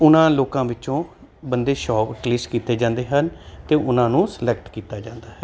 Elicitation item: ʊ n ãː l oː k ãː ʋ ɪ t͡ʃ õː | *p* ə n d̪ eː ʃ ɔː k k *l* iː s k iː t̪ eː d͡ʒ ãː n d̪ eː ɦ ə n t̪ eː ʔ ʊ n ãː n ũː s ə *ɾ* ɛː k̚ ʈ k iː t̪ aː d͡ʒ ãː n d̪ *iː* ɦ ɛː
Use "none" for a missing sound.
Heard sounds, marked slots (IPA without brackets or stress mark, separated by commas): b, l, l, aː